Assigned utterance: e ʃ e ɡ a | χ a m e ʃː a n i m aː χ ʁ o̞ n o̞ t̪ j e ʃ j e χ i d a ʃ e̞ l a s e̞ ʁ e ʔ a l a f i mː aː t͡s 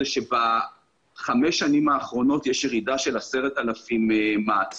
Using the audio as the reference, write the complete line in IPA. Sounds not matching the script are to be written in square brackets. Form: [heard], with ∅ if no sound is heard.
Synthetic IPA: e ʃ e [b] a | χ a m e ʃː a n i m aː χ ʁ o̞ n o̞ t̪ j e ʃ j e [ʁ] i d a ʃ e̞ l a s e̞ ʁ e [t] a l a f i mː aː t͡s